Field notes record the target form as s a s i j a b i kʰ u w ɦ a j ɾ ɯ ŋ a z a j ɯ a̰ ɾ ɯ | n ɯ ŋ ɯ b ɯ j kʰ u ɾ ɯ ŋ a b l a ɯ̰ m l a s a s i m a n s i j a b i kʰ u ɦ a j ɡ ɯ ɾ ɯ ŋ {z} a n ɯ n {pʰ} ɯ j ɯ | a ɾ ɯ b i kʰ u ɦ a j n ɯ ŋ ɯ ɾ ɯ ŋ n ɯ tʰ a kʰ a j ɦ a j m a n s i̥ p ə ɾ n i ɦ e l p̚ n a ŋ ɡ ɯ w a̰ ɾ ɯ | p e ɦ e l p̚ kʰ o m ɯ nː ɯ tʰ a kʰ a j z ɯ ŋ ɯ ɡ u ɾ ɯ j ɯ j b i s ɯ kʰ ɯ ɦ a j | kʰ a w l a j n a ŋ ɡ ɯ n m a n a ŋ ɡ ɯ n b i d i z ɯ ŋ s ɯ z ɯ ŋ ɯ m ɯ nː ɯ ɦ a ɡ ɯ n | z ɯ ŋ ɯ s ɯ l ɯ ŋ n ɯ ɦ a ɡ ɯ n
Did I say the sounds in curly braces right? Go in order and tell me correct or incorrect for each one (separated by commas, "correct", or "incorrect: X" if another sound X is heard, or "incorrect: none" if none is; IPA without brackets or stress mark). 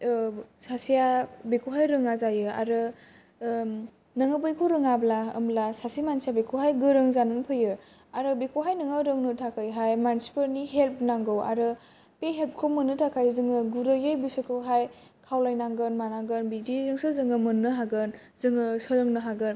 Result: correct, correct